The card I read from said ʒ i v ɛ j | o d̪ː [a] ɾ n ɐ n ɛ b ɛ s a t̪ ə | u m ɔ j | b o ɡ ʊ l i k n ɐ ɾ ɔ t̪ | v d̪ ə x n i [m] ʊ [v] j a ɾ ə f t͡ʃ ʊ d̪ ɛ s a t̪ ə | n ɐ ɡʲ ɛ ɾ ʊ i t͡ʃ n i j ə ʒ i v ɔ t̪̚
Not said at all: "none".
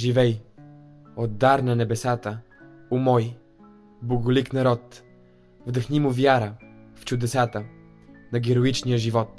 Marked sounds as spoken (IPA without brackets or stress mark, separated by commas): a, m, v